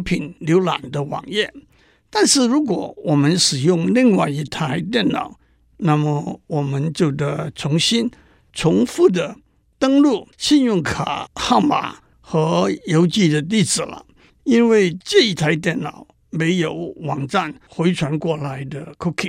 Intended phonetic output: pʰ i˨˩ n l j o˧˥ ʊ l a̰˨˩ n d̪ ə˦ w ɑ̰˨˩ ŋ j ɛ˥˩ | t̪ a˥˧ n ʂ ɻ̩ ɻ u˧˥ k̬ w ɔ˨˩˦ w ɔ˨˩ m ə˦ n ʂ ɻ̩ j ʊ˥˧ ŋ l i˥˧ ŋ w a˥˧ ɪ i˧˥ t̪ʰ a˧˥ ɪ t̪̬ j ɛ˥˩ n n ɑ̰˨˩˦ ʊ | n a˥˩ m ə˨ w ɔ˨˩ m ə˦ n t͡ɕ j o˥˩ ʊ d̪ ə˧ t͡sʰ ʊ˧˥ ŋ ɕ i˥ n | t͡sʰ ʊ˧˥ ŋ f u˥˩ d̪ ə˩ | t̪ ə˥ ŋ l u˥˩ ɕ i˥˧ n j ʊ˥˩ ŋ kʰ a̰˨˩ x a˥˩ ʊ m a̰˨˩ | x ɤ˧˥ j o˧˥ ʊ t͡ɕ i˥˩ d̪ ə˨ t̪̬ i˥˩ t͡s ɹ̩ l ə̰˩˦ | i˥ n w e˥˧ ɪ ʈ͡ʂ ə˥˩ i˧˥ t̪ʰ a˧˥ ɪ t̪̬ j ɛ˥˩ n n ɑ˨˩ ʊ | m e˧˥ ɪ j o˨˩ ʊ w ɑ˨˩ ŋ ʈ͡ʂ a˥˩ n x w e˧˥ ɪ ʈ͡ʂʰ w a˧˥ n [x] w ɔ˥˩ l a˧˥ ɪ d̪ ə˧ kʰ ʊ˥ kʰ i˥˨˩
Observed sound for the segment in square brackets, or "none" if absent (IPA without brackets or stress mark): k